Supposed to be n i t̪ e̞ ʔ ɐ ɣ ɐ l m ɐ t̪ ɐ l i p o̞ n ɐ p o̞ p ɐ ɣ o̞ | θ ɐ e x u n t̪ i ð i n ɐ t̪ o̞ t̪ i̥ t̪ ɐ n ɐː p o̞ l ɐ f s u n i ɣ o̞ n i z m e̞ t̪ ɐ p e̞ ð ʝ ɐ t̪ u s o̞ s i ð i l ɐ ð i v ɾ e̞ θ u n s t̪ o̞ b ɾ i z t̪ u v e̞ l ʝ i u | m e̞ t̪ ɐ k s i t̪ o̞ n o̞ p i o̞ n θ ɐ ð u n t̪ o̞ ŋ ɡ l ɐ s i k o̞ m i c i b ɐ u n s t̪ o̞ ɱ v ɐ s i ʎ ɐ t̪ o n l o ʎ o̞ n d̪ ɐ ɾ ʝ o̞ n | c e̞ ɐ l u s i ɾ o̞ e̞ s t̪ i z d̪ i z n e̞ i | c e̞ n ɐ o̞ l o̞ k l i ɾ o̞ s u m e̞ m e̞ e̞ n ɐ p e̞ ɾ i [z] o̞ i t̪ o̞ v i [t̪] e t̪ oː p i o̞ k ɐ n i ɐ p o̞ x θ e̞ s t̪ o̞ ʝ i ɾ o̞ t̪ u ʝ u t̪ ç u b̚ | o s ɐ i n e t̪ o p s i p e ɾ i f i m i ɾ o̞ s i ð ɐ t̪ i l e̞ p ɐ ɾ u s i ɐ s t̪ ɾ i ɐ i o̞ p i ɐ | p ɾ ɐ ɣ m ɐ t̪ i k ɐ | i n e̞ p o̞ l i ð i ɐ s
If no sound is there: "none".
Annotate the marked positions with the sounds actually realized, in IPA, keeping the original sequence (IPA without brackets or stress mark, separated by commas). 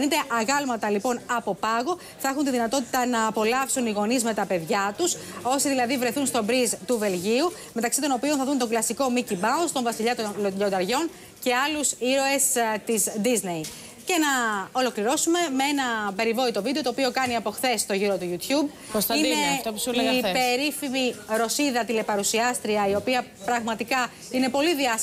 v, d̪